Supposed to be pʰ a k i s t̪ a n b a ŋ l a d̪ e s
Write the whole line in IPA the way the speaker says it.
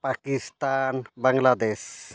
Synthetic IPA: p a k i s t̪ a n b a ŋ l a d̪ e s